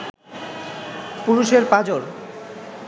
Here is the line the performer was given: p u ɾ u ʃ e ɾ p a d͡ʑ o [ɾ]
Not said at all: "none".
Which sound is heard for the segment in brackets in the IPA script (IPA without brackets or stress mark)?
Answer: ɾ